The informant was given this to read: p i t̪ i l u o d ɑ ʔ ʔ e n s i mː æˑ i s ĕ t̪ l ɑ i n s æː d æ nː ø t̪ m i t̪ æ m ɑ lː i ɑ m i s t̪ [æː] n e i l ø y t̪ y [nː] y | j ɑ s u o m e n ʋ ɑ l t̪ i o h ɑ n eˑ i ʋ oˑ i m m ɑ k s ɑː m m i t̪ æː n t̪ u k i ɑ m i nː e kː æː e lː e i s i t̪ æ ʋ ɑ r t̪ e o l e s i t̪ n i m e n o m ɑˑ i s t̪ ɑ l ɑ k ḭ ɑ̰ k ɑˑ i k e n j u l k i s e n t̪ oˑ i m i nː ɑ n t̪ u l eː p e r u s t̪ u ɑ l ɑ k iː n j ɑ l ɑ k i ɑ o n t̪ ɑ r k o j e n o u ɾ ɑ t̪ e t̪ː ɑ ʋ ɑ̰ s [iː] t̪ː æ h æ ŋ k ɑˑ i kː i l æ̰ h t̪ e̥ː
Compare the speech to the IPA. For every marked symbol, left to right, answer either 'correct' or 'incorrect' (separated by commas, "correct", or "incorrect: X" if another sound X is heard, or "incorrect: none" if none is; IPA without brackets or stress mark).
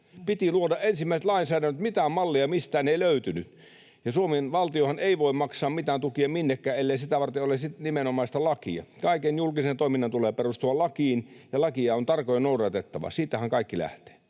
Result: correct, incorrect: n, correct